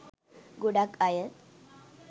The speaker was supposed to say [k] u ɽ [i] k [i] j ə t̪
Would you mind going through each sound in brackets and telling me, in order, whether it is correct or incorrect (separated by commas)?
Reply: incorrect, incorrect, incorrect